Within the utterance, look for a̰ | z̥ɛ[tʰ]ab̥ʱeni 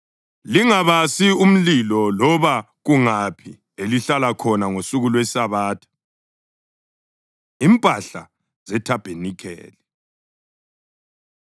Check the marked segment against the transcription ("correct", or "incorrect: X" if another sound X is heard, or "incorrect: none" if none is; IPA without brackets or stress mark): correct